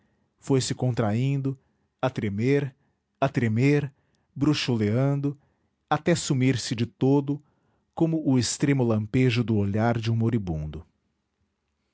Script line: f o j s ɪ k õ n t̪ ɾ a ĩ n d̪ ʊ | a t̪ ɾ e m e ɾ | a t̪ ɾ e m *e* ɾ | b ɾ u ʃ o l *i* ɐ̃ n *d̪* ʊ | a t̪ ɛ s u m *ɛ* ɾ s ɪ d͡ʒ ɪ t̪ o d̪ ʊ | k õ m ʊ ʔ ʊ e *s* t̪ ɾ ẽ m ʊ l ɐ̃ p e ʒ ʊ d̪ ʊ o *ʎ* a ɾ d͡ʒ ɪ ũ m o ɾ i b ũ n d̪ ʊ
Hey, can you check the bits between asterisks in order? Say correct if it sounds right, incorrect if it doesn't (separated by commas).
correct, incorrect, correct, incorrect, correct, correct